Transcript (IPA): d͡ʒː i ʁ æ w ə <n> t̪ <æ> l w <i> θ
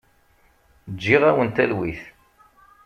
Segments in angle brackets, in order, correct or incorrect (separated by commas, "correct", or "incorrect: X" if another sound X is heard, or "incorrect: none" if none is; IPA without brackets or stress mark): correct, correct, correct